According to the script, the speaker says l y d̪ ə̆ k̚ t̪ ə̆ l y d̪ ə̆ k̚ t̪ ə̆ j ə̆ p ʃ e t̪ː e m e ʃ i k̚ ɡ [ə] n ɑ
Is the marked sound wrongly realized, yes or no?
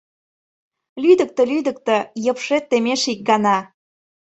yes